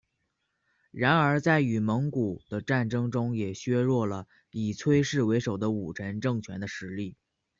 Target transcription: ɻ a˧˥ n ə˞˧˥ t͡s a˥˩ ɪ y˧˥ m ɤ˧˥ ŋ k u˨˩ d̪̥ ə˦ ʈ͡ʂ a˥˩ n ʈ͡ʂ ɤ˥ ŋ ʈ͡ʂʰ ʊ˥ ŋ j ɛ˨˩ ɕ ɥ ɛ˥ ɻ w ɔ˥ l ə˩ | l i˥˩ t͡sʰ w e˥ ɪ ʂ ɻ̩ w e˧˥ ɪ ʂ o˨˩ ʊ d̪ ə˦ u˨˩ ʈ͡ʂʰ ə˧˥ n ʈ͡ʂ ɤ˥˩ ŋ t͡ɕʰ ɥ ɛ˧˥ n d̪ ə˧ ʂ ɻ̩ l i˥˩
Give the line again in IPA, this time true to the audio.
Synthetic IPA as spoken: ɻ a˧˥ n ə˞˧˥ t͡s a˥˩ ɪ y˨˩ m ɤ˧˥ ŋ k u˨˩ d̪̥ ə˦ ʈ͡ʂ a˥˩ n ʈ͡ʂ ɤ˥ ŋ ʈ͡ʂ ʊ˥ ŋ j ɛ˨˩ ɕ ɥ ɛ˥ ɻ w ɔ˥˩ l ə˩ | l i˨˩ t͡sʰ w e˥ ɪ ʂ ɻ̩ w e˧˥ ɪ ʂ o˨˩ ʊ d̪ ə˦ u˨˩ ʈ͡ʂʰ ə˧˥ n ʈ͡ʂ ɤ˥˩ ŋ t͡ɕʰ ɥ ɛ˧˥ n d̪ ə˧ ʂ ɻ̩ l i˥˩

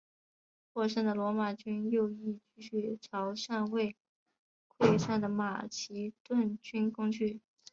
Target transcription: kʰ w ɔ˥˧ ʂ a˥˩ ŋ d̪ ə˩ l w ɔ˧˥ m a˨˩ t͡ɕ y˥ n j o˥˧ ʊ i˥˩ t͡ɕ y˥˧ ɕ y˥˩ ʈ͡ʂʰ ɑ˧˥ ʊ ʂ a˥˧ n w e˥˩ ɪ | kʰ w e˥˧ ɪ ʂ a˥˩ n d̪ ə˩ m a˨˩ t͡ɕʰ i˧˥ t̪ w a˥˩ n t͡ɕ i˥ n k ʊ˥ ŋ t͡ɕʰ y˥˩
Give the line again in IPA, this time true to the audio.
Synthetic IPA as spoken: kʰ w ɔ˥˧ ʂ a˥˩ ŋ d̪ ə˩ l w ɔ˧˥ m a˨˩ t͡ɕ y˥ n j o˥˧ ʊ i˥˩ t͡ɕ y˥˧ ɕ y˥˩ ʈ͡ʂʰ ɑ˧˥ ʊ ʂ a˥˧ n w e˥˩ ɪ | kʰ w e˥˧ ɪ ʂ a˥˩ n d̪ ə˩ m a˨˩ t͡ɕʰ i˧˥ t̪ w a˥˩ n t͡ɕ y˥ n k ʊ˥ ŋ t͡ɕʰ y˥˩

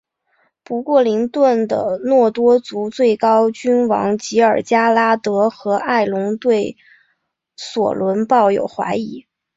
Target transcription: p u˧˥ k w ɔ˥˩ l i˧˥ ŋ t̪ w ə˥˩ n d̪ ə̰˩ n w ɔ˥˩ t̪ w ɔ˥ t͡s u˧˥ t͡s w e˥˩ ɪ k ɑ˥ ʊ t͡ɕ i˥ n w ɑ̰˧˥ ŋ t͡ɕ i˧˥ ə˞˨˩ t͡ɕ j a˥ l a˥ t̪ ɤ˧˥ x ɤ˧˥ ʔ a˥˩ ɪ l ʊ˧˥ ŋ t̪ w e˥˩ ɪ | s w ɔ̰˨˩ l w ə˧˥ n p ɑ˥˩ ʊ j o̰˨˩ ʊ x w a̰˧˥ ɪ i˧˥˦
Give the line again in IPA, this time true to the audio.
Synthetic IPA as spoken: p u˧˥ k w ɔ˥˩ l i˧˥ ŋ t̪ w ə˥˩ n d̪ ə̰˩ n w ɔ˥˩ t̪ w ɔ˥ t͡s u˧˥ t͡s w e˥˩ ɪ k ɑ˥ ʊ t͡ɕ y˥ n w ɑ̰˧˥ ŋ t͡ɕ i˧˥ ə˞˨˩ t͡ɕ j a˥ l a˥ t̪ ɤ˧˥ x ɤ˧˥ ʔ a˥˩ ɪ l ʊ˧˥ ŋ t̪ w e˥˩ ɪ | s w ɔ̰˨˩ l w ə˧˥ n p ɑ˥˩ ʊ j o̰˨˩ ʊ x w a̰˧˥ ɪ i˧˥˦

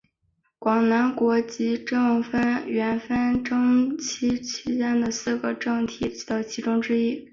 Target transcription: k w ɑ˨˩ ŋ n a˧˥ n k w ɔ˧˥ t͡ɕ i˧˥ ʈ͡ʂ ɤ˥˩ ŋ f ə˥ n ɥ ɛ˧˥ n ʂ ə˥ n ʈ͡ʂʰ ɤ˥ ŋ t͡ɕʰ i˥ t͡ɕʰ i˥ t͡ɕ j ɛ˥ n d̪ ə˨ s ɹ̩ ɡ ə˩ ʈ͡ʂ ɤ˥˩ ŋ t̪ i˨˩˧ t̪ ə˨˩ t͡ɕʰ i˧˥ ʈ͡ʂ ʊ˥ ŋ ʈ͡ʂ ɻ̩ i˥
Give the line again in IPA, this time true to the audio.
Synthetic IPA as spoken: k w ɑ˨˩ ŋ n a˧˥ n k w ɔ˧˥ t͡ɕ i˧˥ ʈ͡ʂ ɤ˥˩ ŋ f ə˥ n ɥ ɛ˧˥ n f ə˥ n ʈ͡ʂ ɤ˥ ŋ t͡ɕʰ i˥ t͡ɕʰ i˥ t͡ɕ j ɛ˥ n d̪ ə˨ s ɹ̩ ɡ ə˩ ʈ͡ʂ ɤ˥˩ ŋ t̪ʰ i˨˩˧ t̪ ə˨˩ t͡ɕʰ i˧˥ ʈ͡ʂ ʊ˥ ŋ ʈ͡ʂ ɻ̩ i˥

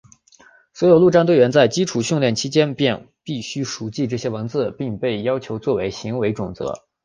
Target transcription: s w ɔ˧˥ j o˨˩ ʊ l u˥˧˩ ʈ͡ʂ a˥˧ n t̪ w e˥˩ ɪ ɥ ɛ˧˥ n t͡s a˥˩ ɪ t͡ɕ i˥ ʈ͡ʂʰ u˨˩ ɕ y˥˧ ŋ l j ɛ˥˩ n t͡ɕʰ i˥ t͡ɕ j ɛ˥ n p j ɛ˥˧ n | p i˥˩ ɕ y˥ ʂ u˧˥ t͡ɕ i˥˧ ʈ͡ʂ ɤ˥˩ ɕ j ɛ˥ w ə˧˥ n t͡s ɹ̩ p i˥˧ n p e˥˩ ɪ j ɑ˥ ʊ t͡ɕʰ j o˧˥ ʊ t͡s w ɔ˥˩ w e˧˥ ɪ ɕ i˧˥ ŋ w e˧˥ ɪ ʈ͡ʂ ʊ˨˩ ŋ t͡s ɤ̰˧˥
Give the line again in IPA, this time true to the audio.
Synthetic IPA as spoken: s w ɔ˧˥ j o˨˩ ʊ l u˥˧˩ ʈ͡ʂ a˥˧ n t̪ w e˥˩ ɪ ɥ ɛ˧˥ n t͡s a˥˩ ɪ t͡ɕ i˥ ʈ͡ʂʰ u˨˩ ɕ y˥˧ ŋ l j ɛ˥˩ n t͡ɕʰ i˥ t͡ɕ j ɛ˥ n p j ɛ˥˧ n | p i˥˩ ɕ y˥ ʂ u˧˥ t͡ɕ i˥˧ ʈ͡ʂ ɤ˥˩ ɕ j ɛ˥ w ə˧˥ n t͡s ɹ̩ p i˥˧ ŋ p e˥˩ ɪ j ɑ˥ ʊ t͡ɕʰ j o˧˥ ʊ t͡s w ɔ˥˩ w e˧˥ ɪ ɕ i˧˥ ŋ w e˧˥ ɪ ʈ͡ʂ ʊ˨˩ ŋ t͡s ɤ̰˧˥

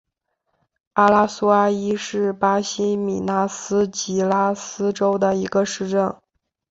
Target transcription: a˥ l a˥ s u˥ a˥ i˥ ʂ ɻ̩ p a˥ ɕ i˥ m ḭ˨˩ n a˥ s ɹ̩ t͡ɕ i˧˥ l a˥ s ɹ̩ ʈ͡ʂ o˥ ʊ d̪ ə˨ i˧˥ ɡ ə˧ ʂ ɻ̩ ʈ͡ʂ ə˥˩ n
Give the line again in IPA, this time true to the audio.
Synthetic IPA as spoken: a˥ l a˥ s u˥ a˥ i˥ ʂ ɻ̩ p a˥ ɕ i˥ m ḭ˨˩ n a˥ s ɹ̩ t͡ɕ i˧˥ l a˥ s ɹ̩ ʈ͡ʂ o˥ ʊ d̪ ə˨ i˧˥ ɡ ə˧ ʂ ɻ̩ ʈ͡ʂ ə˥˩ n

